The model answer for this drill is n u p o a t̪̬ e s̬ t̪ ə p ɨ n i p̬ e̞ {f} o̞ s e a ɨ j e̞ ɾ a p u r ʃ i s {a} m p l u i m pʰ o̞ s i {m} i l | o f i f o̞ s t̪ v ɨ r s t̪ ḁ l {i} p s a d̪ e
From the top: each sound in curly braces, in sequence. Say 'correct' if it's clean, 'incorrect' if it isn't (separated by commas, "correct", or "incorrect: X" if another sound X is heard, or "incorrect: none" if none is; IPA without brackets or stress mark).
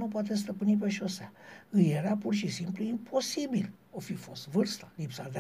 incorrect: ʃ, incorrect: i, incorrect: b, correct